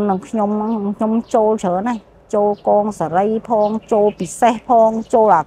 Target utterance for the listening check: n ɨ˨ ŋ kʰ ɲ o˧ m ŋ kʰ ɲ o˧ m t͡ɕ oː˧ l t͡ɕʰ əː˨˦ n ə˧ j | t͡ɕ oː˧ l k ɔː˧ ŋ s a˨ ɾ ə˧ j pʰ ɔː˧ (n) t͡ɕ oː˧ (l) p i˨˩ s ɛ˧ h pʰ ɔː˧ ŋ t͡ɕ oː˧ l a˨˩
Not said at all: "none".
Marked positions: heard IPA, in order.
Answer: ŋ, l

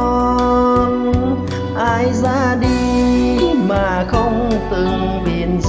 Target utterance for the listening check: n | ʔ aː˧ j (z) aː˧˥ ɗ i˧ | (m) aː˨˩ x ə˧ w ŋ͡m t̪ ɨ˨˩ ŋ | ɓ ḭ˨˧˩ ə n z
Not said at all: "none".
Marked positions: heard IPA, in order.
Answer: z, m

